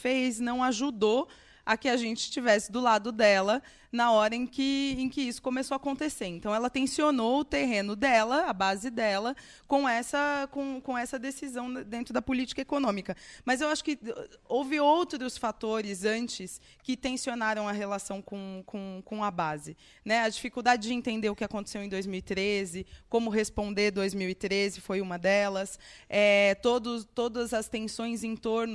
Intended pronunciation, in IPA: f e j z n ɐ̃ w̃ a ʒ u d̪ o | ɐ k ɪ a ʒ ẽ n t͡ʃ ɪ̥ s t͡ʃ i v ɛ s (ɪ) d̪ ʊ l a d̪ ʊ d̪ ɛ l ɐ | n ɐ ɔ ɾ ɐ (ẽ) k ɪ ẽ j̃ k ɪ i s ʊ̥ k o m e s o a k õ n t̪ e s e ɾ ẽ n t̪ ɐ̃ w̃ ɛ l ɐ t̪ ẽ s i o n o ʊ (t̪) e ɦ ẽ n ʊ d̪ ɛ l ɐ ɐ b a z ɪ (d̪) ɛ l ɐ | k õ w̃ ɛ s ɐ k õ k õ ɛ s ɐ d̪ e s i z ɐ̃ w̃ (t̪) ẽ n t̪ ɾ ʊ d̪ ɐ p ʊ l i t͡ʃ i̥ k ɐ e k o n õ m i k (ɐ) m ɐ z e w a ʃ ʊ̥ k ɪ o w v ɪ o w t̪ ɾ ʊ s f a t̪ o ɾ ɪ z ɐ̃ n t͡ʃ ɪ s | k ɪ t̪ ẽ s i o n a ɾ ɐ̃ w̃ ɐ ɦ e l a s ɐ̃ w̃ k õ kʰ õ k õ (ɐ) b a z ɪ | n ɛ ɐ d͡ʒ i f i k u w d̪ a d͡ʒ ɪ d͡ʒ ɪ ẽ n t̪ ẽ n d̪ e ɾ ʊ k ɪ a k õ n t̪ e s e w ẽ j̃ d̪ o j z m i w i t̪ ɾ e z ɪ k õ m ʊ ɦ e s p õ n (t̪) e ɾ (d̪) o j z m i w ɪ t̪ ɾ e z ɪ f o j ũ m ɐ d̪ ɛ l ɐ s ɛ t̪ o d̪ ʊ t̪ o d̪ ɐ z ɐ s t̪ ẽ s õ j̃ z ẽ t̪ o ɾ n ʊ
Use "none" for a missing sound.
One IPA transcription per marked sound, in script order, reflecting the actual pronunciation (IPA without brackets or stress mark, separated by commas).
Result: ɪ, ẽ, t̪, d̪, d̪, ɐ, ɐ, d̪, d̪